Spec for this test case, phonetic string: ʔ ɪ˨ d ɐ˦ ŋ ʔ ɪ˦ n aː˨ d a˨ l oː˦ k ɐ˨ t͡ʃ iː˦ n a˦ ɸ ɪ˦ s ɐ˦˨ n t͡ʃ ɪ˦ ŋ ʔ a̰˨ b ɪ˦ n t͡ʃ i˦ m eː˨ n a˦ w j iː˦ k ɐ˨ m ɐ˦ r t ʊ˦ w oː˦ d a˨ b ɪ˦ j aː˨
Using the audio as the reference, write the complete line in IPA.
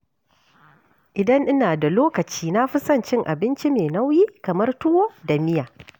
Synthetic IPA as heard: ʔ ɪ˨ d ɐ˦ ŋ ʔ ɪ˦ n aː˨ d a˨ l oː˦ k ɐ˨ t͡ʃ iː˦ n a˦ ɸ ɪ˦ s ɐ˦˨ n t͡ʃ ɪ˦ ŋ ʔ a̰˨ b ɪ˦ n t͡ʃ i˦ m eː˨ n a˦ w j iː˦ k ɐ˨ m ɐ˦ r t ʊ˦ w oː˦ d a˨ m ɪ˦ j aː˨